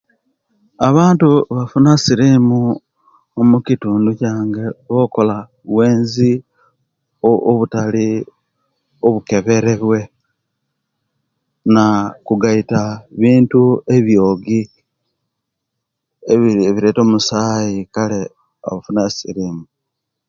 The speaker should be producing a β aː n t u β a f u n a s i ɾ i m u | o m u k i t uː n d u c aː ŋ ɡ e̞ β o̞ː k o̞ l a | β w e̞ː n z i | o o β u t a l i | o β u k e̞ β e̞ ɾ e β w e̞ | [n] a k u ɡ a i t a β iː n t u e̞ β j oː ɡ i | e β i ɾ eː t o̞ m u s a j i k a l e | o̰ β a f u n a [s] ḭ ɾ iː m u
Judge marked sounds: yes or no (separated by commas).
yes, yes